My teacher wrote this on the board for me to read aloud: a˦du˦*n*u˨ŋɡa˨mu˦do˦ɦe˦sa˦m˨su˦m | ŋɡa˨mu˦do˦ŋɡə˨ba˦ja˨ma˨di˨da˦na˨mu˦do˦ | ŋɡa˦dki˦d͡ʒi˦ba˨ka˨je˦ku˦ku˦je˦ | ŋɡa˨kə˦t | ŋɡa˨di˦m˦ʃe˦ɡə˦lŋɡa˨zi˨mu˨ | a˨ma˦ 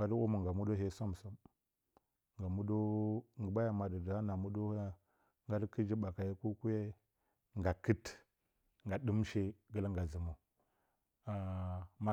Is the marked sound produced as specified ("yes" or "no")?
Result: no